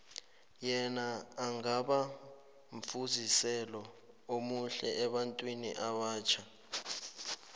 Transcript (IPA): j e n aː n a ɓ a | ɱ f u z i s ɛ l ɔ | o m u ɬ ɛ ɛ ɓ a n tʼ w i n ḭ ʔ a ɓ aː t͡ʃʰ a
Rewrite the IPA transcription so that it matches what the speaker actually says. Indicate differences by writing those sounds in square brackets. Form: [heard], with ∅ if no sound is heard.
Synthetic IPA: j [ɛ] n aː [ŋ] a ɓ a | ɱ f u z i s ɛ l ɔ | o m u ɬ ɛ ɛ ɓ a n tʼ w i n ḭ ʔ a ɓ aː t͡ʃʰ a